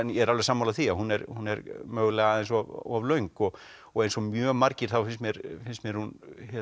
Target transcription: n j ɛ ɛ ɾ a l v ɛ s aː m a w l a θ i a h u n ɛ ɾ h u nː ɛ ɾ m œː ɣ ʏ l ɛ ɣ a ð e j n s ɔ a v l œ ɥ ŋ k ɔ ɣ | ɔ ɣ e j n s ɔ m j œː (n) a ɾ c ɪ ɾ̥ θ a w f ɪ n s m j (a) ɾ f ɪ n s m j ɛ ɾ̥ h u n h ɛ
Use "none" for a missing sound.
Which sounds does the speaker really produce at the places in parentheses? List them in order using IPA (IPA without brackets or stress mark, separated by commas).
m, ɛ